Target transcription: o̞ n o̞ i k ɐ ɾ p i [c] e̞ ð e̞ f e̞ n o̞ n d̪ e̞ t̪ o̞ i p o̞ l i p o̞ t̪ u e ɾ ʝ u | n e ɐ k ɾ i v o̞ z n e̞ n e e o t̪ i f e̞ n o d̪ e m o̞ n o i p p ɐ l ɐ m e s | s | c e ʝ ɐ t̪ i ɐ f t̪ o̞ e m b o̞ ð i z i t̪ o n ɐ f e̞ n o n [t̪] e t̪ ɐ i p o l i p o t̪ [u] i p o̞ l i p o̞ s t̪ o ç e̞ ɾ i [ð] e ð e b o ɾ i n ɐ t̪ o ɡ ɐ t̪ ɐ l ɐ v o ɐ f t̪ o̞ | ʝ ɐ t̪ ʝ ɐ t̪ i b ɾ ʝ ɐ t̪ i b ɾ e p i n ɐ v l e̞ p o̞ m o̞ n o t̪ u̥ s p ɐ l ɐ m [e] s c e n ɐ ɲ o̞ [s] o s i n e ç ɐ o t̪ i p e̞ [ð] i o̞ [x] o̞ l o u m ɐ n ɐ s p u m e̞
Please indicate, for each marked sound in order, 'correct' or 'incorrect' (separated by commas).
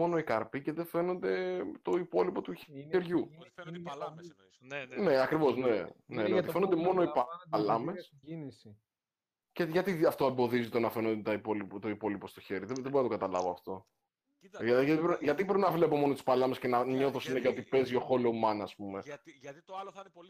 correct, incorrect, incorrect, correct, correct, incorrect, incorrect, correct